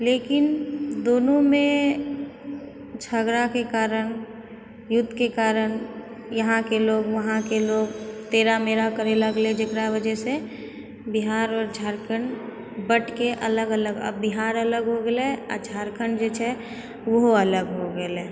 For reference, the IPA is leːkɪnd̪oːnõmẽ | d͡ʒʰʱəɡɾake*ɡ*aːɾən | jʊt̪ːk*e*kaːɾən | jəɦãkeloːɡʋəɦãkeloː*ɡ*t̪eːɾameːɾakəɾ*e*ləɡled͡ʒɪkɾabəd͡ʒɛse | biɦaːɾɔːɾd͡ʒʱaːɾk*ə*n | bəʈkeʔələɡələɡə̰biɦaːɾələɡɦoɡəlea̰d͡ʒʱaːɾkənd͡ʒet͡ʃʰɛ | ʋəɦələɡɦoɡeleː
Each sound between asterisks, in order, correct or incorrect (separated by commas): incorrect, correct, correct, correct, correct